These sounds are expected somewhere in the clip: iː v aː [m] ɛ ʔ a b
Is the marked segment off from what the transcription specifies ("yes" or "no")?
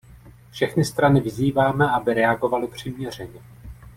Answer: no